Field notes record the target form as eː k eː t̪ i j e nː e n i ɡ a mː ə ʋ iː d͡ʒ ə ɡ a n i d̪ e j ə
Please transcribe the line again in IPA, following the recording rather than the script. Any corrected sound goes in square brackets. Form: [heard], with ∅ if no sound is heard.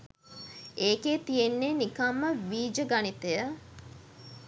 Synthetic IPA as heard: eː k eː t̪ i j e nː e n i [k] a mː ə ʋ iː d͡ʒ ə ɡ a n i [t̪] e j ə